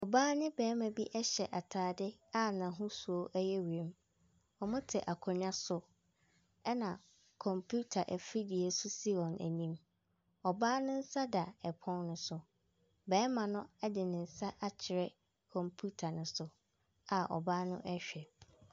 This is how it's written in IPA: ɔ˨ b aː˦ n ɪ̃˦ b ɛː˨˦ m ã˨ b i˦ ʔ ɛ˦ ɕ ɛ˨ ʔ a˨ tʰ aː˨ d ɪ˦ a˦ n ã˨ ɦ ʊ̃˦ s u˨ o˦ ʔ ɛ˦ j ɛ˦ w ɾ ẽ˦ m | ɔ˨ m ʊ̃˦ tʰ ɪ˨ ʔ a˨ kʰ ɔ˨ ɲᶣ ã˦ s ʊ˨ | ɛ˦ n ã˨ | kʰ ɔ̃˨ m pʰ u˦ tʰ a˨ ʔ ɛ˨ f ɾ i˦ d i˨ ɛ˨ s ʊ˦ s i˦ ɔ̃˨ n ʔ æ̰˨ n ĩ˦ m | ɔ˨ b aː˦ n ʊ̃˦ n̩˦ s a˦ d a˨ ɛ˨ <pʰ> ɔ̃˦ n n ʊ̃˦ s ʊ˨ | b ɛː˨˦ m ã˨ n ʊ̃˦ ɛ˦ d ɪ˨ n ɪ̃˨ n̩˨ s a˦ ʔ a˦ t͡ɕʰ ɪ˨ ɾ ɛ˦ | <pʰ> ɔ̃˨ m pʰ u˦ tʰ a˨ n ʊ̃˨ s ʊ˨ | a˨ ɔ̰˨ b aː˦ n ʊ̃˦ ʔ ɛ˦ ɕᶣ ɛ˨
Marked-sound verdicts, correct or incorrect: correct, incorrect: kʰ

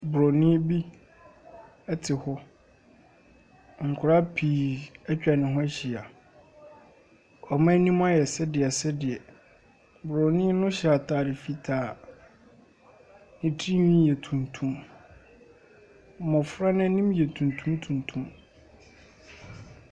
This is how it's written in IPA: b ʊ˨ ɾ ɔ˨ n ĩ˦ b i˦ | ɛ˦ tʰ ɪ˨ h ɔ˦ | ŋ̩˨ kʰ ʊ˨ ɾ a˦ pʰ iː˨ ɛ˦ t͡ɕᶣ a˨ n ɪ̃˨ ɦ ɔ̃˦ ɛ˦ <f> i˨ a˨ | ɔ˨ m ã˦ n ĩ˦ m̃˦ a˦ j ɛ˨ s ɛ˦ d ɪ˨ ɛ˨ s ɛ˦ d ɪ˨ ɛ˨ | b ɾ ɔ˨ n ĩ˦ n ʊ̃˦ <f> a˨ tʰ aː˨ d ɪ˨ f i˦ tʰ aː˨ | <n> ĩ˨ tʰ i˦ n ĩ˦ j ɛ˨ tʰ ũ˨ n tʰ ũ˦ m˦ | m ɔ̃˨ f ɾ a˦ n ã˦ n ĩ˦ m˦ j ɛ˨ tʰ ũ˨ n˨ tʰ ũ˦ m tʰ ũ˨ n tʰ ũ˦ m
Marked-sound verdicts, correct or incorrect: incorrect: ɕ, incorrect: ɕ, correct

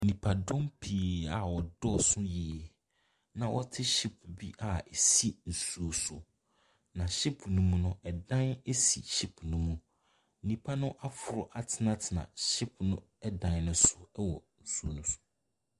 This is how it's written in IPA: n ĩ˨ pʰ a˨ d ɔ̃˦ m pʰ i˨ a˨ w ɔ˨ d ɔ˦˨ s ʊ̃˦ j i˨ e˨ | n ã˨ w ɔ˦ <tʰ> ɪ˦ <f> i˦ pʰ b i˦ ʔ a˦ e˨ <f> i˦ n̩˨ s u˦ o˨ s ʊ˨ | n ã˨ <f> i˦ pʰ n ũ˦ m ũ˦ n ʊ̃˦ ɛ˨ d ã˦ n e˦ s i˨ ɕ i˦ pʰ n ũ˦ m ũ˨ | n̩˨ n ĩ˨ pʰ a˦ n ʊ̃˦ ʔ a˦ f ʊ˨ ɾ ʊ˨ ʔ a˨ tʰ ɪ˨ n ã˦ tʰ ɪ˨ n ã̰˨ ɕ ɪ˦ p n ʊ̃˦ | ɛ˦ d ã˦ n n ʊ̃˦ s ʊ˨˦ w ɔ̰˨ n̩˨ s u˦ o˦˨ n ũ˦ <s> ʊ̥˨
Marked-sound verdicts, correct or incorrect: correct, incorrect: ɕ, incorrect: s, incorrect: ɕ, correct

